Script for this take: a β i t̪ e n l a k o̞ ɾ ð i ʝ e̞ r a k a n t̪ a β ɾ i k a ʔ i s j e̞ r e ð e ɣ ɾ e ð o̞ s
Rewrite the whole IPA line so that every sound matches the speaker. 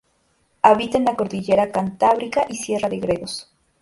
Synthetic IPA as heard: a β i t̪ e n l a k o̞ ɾ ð i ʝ e̞ ɾ a k a n t̪ a β ɾ i k a ʔ i s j e̞ r a ð e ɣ ɾ e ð o̞ s